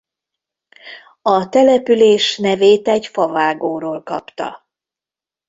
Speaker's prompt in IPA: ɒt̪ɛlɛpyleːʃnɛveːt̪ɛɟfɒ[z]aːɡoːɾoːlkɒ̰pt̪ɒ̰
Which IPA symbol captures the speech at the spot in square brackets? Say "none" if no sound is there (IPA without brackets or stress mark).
v